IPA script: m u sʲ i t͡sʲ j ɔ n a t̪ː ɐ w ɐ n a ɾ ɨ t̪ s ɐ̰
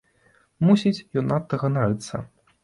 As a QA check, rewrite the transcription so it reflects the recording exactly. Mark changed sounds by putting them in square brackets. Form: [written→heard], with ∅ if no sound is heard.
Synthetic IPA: m u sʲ i t͡sʲ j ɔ n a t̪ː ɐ [w→ɣ] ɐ n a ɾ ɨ t̪ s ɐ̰